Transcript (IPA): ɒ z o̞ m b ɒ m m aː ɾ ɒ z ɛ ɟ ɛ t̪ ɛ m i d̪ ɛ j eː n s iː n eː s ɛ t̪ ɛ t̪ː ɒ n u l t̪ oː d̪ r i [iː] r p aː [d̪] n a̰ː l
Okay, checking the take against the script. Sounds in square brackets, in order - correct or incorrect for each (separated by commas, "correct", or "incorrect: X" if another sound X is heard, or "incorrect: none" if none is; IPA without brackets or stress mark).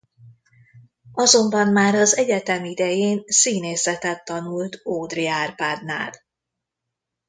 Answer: incorrect: aː, correct